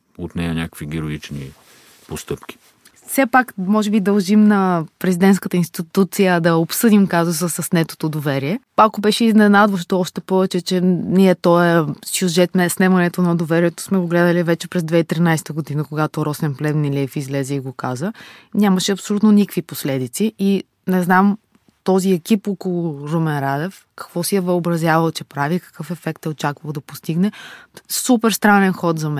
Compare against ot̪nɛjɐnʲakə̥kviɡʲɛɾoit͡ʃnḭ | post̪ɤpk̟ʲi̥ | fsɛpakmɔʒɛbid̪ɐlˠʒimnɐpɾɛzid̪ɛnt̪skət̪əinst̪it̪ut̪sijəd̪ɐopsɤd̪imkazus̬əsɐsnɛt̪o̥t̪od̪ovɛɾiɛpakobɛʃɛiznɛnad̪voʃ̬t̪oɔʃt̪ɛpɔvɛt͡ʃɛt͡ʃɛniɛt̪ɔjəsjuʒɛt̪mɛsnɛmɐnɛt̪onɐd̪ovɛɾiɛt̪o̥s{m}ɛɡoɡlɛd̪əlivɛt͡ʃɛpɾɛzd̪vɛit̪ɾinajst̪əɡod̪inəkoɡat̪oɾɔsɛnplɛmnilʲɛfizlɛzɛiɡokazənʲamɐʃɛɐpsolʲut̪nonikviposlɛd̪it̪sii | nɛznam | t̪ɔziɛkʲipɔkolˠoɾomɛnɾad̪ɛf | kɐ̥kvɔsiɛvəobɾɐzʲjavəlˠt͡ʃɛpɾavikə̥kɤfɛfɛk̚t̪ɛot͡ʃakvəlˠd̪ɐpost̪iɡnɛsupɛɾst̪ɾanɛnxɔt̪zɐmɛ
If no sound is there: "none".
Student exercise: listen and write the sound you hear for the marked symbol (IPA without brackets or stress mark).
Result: m